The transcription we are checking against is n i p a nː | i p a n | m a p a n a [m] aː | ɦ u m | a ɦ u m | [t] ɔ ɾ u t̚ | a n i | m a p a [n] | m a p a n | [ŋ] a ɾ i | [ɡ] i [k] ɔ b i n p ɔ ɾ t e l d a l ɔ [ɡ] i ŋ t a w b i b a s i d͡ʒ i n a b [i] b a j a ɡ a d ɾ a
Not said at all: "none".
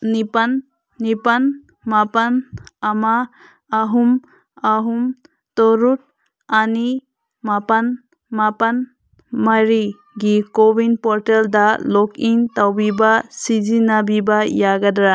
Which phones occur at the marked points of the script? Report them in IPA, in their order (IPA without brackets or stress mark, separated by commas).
m, t, n, m, ɡ, k, k, i